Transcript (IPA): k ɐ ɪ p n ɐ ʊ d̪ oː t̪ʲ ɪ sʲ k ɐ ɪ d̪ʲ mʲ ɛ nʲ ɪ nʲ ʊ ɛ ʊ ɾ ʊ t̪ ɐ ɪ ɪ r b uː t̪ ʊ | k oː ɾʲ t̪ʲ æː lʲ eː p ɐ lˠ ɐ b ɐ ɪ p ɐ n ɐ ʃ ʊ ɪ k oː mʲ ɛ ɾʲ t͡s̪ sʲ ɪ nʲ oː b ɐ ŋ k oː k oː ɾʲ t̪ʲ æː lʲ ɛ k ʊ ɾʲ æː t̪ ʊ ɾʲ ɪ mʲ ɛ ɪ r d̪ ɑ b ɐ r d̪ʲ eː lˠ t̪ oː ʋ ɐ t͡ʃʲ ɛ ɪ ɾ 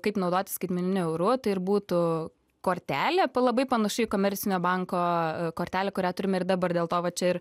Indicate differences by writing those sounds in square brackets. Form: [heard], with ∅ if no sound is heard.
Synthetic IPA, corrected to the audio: k ɐ ɪ p n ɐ ʊ d̪ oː t̪ʲ ɪ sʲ k ɐ ɪ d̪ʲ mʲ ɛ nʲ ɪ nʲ ʊ ɛ ʊ ɾ ʊ t̪ ɐ ɪ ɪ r b uː t̪ ʊ | k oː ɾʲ t̪ʲ æː lʲ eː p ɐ lˠ ɐ b ɐ ɪ p ɐ n ɐ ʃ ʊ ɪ k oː mʲ ɛ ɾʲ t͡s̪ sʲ ɪ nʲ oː b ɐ ŋ k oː k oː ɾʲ t̪ʲ æː lʲ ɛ k ʊ ɾʲ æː t̪ ʊ ɾʲ ɪ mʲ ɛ ɪ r d̪ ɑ b ɐ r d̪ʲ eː lˠ t̪ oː ʋ ɐ t͡ʃʲ ɛ ɪ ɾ